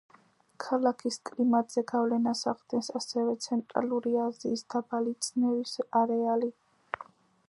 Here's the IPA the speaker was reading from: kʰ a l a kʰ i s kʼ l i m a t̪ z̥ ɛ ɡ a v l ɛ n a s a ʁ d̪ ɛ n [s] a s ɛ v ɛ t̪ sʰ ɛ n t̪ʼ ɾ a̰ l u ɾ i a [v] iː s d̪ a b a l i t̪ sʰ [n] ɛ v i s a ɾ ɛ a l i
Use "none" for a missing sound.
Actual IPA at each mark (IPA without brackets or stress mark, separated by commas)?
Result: s, z, n